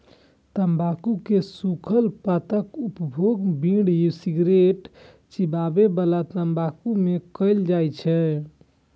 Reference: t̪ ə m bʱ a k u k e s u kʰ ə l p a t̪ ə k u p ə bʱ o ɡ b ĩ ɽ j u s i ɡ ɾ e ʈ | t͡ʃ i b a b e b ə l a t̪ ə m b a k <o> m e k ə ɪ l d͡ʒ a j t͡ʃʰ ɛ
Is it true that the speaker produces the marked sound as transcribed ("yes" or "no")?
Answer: no